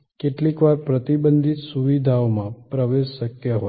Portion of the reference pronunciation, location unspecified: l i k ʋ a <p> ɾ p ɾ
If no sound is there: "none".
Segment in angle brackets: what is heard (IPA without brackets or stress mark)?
none